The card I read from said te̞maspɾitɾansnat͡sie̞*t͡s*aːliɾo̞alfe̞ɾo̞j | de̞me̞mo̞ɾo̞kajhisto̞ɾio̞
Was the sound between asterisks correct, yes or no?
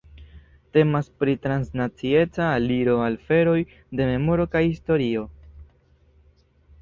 yes